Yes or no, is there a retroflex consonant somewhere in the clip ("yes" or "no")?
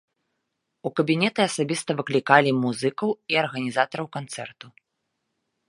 no